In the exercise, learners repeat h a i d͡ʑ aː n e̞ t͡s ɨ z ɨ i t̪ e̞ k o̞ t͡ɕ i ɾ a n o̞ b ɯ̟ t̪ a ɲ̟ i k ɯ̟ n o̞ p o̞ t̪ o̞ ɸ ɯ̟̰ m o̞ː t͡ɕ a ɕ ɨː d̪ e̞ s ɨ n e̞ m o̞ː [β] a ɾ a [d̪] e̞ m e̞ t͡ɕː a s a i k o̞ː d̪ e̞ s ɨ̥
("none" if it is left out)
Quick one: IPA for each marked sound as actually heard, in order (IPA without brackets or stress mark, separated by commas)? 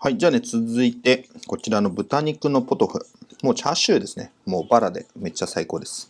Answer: b, d̪